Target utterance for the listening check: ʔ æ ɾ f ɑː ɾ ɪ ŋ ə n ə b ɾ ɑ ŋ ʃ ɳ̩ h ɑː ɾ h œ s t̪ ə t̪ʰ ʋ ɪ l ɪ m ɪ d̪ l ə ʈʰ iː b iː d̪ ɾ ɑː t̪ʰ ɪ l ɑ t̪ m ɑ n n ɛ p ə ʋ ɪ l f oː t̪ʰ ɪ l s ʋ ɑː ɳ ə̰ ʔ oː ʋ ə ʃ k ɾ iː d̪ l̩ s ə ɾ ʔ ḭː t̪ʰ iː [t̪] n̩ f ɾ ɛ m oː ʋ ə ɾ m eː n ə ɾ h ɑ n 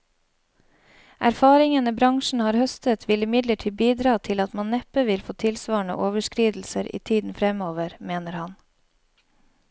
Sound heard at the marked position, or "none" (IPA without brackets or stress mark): d̪